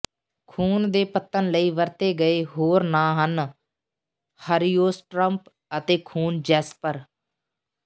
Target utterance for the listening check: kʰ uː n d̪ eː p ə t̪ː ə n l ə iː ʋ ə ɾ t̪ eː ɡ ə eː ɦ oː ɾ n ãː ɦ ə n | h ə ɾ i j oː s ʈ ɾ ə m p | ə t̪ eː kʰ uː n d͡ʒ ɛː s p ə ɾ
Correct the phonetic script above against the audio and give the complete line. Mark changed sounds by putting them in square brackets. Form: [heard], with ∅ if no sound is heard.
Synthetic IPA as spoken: kʰ uː n d̪ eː p ə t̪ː ə n l ə iː ʋ ə ɾ t̪ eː ɡ ə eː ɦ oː ɾ n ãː ɦ ə n | h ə ɾ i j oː s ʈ ɾ ə m p | ə t̪ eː kʰ uː n d͡ʒ ɛː s p ə ɾ